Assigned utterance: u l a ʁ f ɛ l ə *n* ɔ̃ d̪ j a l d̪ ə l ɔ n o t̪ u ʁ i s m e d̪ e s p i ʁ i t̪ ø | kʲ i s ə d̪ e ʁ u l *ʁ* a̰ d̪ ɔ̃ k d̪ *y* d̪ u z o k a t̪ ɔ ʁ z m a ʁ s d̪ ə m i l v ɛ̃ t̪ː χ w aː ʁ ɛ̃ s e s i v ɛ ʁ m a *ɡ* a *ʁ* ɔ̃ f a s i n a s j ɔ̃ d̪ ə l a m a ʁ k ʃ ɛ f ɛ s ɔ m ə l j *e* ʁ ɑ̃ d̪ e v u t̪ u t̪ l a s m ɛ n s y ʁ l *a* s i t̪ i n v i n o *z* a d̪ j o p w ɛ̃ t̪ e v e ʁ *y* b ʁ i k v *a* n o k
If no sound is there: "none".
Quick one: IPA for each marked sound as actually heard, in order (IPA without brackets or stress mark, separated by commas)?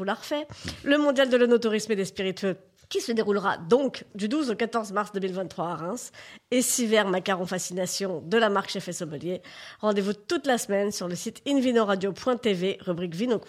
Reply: m, ʁ, y, k, ʁ, e, ə, ʁ, y, i